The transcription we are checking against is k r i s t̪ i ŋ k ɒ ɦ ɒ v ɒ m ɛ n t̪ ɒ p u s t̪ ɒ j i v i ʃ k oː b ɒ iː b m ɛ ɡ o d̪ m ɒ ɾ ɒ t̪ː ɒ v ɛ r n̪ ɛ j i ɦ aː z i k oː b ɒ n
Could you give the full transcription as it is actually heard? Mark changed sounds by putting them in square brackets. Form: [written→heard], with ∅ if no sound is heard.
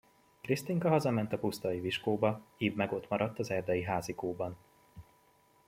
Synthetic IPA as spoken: k r i s t̪ i ŋ k ɒ ɦ ɒ [v→z] ɒ m ɛ n t̪ ɒ p u s t̪ ɒ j i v i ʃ k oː b ɒ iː b m ɛ ɡ o [d̪→t̪] m ɒ ɾ ɒ t̪ː ɒ [v→z] ɛ r [n̪→d̪] ɛ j i ɦ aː z i k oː b ɒ n